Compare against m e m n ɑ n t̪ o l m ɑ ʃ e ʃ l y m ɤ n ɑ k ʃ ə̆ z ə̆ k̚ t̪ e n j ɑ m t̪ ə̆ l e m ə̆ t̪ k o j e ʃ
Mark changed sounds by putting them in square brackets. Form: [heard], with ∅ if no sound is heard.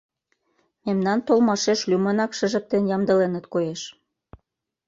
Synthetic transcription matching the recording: m e m n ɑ n t̪ o l m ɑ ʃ e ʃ l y m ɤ n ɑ k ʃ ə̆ [ʒ] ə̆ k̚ t̪ e n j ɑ m [d̪] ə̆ l e [n] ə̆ t̪ k o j e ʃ